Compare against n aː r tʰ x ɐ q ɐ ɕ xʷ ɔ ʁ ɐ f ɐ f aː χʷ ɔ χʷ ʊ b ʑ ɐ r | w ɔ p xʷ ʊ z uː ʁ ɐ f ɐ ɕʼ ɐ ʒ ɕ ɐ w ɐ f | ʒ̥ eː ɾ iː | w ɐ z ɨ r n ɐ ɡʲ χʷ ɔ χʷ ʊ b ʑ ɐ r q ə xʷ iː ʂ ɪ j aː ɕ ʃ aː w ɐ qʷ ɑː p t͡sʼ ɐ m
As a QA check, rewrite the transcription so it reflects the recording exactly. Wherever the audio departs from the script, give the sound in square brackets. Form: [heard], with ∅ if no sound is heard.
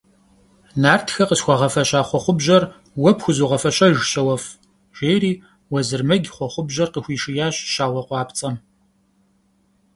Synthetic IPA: n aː r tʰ x ɐ q [ə] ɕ xʷ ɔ ʁ ɐ f ɐ [ɕ] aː χʷ ɔ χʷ ʊ b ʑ ɐ r | w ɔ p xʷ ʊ z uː ʁ ɐ f ɐ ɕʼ ɐ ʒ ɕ ɐ w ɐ f | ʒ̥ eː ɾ iː | w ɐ z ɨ r [m] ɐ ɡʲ χʷ ɔ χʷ ʊ b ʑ ɐ r q ə xʷ iː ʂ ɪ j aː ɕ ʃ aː w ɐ qʷ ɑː p t͡sʼ ɐ m